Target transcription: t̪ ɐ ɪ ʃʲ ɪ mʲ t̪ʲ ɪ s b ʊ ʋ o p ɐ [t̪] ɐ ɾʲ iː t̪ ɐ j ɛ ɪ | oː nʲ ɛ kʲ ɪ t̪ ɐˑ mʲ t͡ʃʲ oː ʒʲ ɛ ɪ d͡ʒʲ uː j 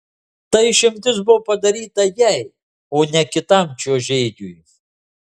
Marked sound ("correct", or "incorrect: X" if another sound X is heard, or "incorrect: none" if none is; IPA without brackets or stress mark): incorrect: d̪